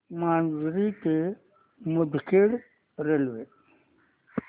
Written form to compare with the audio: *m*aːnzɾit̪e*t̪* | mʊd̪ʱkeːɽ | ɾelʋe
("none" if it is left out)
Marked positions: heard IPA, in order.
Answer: m, none

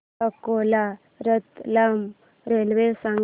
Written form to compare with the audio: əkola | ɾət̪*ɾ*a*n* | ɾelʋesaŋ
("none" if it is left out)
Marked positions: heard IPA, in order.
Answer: l, m

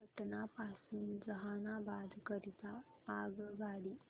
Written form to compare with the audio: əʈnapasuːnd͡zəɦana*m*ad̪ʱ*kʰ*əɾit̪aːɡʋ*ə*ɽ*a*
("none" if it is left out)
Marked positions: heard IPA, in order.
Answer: b, k, a, i

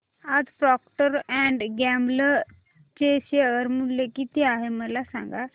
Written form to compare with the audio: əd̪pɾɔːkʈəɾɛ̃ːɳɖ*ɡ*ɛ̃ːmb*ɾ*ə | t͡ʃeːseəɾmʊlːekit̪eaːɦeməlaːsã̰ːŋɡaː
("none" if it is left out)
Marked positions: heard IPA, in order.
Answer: ɡ, l

